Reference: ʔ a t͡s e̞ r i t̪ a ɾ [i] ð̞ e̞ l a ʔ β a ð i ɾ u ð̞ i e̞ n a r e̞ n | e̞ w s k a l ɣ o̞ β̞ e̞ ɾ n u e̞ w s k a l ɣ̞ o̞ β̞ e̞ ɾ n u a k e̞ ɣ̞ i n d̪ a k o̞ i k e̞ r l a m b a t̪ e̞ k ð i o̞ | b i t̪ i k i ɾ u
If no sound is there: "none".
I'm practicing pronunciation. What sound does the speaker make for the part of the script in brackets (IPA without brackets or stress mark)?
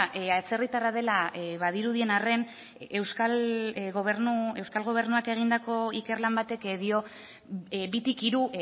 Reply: a